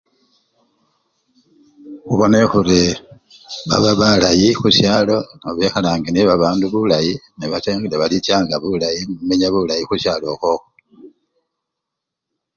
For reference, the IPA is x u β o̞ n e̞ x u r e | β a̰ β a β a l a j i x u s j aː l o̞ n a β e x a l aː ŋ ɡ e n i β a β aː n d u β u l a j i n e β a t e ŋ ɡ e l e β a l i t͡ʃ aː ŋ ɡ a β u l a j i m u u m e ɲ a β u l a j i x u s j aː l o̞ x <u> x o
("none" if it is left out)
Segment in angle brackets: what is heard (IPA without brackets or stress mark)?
o